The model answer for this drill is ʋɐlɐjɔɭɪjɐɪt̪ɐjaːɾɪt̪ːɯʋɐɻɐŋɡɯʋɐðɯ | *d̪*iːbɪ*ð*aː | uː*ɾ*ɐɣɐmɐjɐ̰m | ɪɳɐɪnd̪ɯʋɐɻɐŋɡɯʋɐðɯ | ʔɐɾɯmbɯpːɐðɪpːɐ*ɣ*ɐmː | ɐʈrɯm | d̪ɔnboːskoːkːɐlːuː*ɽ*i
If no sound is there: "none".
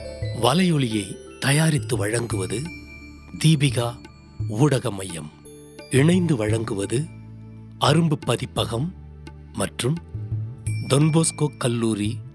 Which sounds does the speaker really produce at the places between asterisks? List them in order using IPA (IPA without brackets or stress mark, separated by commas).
d̪, ɣ, ɽ, ɣ, ɾ